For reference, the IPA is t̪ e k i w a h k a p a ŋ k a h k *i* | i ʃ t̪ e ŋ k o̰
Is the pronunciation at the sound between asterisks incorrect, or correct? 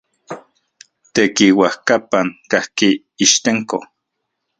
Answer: correct